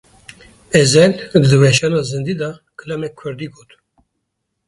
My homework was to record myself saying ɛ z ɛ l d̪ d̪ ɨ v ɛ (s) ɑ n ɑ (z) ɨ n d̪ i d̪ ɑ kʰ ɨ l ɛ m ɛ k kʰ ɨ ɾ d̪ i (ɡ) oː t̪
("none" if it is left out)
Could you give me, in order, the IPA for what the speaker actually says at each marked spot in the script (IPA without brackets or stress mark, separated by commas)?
ʃ, z, ɡ